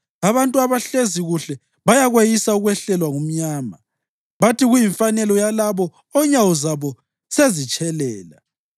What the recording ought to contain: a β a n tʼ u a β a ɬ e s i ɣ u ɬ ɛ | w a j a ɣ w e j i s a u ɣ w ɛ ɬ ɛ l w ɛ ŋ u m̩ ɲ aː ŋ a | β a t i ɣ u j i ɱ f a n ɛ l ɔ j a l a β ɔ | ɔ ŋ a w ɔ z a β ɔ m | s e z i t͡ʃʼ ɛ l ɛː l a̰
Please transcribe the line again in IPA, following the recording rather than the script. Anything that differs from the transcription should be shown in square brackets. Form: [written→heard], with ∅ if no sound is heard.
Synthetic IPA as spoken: a β a n tʼ u a β a ɬ e [s→z] i ɣ u ɬ ɛ | [w→β] a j a ɣ w e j i s a u ɣ w ɛ ɬ ɛ l w [ɛ→a] ŋ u m̩ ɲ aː [ŋ→m] a | β a t i ɣ u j i ɱ f a n ɛ l ɔ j a l a β ɔ | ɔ [ŋ→ɲ] a w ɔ z a β ɔ [m→∅] | s e z i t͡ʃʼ ɛ l ɛː l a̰

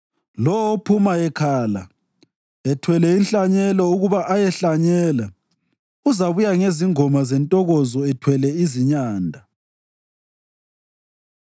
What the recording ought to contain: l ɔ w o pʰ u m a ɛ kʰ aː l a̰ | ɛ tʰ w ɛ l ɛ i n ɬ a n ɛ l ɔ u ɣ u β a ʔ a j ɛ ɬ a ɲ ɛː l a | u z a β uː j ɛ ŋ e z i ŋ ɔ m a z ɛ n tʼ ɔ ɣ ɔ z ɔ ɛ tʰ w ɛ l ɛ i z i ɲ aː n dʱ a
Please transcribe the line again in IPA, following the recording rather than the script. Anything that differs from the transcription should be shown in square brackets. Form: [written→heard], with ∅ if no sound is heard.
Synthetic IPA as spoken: l ɔ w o pʰ u m a ɛ kʰ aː l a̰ | ɛ tʰ w ɛ l ɛ i n ɬ a [n→ɲ] ɛ l ɔ u ɣ u β a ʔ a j ɛ ɬ a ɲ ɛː l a | u z a β [uː→u] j [ɛ→a] ŋ e z i ŋ ɔ m a z ɛ n tʼ ɔ ɣ ɔ z ɔ ɛ tʰ w ɛ l ɛ i z i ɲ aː n dʱ a

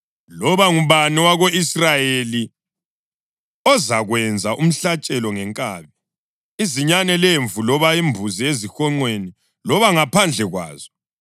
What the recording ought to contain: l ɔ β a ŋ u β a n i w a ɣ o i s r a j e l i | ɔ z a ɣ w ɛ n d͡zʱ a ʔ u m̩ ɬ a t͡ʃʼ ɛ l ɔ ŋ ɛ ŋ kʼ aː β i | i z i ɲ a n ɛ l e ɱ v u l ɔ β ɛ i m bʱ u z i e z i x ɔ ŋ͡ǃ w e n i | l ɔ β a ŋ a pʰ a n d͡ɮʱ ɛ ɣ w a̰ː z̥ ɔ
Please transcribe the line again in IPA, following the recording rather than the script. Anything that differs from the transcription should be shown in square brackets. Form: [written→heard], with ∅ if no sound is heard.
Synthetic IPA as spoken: l ɔ β a ŋ u β a n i w a ɣ o i s r a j e l i | ɔ z a ɣ w ɛ n d͡zʱ a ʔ u m̩ ɬ a t͡ʃʼ ɛ l ɔ ŋ ɛ ŋ kʼ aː β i | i z i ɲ a n ɛ l e ɱ v u l ɔ β [ɛ→a] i m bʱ u z i e z i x ɔ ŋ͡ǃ w e n i | l ɔ β a ŋ a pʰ a n d͡ɮʱ ɛ ɣ w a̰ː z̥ ɔ

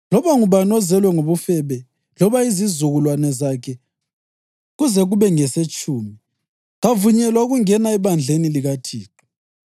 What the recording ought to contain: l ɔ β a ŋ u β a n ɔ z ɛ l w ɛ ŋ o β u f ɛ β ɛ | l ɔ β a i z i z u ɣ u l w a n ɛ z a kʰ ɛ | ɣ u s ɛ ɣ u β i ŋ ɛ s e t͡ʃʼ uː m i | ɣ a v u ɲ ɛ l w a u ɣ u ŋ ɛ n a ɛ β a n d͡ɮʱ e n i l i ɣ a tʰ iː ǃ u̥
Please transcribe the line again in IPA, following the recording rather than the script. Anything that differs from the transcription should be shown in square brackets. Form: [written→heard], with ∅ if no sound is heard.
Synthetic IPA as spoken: l ɔ β a ŋ u β a n ɔ z ɛ l w ɛ ŋ o β u f ɛ β ɛ | l ɔ β a i z i z u ɣ u l w a n ɛ z a kʰ ɛ | ɣ u [s→z] ɛ ɣ u β [i→ɛ] ŋ ɛ s e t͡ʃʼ uː m i | ɣ a v u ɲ ɛ l w a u ɣ u ŋ ɛ n a ɛ β a n d͡ɮʱ e n i l i ɣ a tʰ iː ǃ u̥

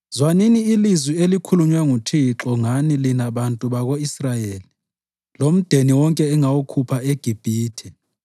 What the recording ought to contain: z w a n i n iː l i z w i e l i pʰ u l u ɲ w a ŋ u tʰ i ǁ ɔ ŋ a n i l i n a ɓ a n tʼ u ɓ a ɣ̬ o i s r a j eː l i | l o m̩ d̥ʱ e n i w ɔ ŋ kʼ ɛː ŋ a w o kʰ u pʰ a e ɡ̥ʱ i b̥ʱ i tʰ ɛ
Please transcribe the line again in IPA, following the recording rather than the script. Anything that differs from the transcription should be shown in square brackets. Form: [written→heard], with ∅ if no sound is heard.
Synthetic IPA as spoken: z w a n i n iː l i z w i e l i [pʰ→kʰ] u l u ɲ w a ŋ u tʰ i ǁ ɔ ŋ a n i l i n a ɓ a n tʼ u ɓ a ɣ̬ o i s r a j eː l i | l o m̩ d̥ʱ e n i w ɔ ŋ kʼ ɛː ŋ a w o kʰ u pʰ a e ɡ̥ʱ i b̥ʱ [i→iː] tʰ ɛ

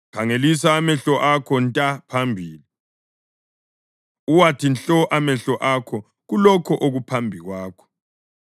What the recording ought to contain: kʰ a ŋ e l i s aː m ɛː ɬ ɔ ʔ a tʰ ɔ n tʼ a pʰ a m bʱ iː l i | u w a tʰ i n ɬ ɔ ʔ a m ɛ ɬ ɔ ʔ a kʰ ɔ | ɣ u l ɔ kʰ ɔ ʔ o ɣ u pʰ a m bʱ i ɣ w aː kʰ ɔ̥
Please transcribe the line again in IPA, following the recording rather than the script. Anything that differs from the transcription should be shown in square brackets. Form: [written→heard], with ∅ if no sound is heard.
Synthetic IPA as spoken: kʰ a ŋ e l i s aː m [ɛː→ɛ] ɬ ɔ ʔ a [tʰ→kʰ] ɔ n tʼ a pʰ a m bʱ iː l i | u w a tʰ i n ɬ ɔ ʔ a m ɛ ɬ ɔ ʔ a kʰ ɔ | ɣ u l ɔ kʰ ɔ ʔ o ɣ u pʰ a m bʱ i ɣ w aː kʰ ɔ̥

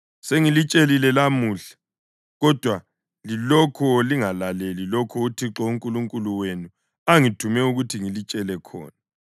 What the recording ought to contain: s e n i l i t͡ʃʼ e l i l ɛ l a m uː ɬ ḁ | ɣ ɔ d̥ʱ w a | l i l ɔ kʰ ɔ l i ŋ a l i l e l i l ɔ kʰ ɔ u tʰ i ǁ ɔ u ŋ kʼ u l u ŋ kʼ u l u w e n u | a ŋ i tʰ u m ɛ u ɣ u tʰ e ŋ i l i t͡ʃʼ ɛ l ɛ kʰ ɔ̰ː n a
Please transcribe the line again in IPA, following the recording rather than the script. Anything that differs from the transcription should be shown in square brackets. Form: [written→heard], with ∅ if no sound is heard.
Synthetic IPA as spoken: s e [n→ŋ] i l i t͡ʃʼ e l i l ɛ l a m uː ɬ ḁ | ɣ ɔ d̥ʱ w a | l i l ɔ kʰ ɔ l i ŋ a l [i→a] l e l i l ɔ kʰ ɔ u tʰ i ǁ ɔ u ŋ kʼ u l u ŋ kʼ u l u w e n u | a ŋ i tʰ u m ɛ u ɣ u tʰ [e→i] ŋ i l i t͡ʃʼ ɛ l ɛ kʰ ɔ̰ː n a

